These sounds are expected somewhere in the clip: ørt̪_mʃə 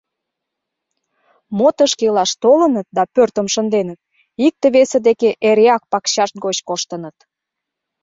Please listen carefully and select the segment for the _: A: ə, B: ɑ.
A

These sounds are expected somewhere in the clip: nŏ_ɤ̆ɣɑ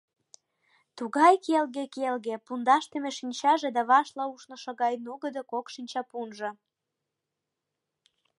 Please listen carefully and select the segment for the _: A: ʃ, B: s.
A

